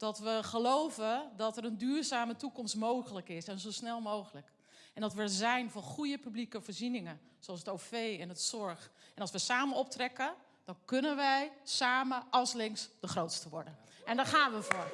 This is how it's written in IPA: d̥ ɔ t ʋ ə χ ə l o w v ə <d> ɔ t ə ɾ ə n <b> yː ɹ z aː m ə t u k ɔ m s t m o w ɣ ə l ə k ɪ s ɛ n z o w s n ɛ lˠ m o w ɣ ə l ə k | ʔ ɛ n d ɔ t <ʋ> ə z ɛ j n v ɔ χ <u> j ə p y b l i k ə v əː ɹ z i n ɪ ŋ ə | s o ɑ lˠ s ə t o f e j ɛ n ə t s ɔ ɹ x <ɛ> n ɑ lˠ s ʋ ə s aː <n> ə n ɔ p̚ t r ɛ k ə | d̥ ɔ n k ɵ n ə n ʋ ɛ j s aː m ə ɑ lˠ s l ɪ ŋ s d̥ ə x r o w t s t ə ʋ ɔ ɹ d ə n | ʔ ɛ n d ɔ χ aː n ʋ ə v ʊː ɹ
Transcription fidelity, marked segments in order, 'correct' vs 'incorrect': correct, incorrect, correct, correct, correct, incorrect

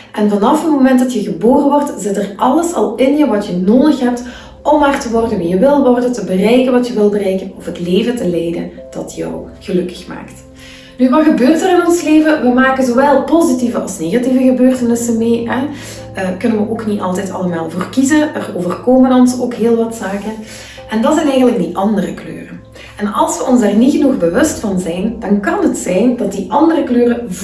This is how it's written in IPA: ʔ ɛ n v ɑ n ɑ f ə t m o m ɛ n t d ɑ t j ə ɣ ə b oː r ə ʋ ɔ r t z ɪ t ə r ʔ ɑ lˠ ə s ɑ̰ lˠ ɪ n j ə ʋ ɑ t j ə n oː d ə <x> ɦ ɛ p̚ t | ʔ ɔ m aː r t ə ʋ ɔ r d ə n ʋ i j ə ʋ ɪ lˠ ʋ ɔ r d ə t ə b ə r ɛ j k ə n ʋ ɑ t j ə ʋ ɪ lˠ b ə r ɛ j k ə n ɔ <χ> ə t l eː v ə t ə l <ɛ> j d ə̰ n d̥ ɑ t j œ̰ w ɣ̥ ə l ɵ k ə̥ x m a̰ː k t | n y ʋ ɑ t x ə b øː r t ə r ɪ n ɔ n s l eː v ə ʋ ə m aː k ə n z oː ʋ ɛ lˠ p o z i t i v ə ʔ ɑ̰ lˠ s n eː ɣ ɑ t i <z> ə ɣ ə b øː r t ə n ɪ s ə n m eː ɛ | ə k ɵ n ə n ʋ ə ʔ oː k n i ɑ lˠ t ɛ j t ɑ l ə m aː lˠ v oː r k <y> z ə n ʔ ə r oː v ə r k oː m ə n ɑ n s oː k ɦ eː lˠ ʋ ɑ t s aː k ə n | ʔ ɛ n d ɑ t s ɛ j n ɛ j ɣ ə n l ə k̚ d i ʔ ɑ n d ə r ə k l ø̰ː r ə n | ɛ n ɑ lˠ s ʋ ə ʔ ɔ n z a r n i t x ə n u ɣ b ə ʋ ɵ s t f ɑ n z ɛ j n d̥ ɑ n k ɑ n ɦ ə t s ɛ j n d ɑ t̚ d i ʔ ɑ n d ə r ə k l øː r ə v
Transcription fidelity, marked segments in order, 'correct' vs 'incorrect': correct, incorrect, correct, incorrect, incorrect

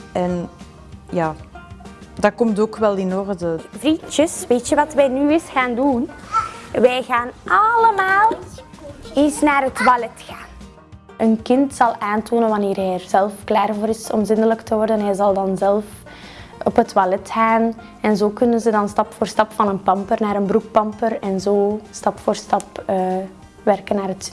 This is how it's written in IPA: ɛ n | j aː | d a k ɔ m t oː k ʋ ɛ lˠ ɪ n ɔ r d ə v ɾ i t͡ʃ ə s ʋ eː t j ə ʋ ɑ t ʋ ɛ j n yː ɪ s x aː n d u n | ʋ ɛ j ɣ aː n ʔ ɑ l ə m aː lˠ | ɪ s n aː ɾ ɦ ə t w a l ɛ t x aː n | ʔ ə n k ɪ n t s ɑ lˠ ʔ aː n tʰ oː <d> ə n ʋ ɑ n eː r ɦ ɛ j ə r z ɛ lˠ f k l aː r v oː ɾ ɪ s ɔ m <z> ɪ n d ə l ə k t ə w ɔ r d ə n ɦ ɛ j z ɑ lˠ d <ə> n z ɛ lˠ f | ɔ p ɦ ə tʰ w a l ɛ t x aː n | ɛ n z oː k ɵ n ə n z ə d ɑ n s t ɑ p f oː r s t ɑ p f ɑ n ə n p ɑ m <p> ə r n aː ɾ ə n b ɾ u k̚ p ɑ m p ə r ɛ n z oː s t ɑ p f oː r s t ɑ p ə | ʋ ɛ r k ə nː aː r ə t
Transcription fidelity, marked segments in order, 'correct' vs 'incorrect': incorrect, correct, incorrect, correct

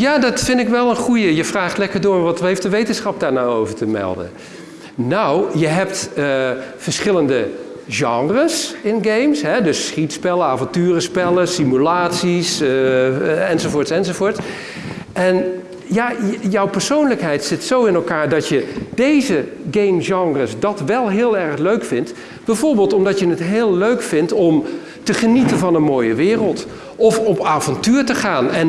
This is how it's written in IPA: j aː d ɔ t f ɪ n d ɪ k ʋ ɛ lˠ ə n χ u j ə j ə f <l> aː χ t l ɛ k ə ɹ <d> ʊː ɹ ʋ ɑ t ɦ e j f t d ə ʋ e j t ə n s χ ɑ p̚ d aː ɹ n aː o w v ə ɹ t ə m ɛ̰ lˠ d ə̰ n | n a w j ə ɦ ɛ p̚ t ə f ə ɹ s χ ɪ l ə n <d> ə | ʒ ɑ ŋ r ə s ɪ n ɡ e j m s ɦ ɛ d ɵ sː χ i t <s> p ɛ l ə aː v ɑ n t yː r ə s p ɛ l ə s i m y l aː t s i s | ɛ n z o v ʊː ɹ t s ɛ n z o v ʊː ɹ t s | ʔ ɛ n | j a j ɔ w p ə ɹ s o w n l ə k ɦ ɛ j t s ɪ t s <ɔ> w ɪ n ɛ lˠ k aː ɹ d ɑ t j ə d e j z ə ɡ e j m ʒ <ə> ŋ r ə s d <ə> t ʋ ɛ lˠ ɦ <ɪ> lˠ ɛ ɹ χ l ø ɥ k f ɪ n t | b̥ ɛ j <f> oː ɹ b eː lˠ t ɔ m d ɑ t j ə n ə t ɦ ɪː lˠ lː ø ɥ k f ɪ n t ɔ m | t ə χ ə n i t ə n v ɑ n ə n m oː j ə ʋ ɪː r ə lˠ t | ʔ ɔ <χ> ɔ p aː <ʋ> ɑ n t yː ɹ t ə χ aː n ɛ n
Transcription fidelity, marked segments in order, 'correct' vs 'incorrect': incorrect, correct, correct, correct, incorrect, incorrect, incorrect, incorrect, incorrect, incorrect, incorrect

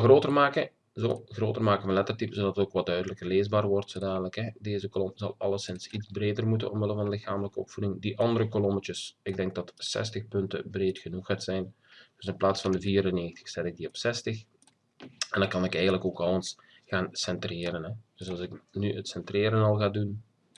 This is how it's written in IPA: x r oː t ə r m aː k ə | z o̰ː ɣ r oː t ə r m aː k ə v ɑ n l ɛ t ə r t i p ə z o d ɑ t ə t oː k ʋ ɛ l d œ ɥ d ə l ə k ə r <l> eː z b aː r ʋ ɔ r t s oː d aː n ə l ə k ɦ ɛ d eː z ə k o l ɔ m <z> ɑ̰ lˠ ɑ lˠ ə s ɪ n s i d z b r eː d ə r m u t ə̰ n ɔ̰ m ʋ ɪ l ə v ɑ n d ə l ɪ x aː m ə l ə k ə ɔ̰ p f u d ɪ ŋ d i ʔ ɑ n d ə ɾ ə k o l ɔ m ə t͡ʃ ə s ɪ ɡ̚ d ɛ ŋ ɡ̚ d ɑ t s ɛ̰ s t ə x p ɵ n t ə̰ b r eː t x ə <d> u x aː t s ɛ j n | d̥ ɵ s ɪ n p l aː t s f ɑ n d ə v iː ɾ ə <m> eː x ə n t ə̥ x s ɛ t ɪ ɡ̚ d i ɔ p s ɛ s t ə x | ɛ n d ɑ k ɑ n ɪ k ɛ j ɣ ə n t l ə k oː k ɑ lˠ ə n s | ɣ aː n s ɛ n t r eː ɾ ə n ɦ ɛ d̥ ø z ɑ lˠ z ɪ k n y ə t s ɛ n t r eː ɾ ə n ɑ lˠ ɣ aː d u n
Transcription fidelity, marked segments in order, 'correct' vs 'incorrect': correct, correct, incorrect, incorrect

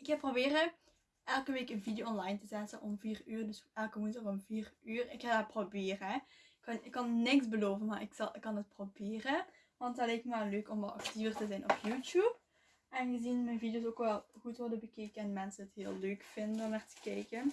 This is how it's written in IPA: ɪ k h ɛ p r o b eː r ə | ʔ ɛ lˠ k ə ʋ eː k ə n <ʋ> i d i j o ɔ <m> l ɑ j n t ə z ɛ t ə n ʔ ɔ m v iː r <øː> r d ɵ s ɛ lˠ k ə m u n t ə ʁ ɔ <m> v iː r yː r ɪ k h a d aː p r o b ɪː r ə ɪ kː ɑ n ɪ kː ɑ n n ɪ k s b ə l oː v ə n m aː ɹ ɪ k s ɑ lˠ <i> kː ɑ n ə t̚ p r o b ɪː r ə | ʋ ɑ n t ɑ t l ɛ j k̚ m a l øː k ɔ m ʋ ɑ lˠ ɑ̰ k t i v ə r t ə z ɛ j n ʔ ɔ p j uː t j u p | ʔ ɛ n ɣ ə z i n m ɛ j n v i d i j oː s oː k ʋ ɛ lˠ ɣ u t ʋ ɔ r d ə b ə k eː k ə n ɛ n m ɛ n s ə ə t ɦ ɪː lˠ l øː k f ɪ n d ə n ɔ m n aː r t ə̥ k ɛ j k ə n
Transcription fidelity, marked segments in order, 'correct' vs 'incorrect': incorrect, incorrect, incorrect, correct, incorrect

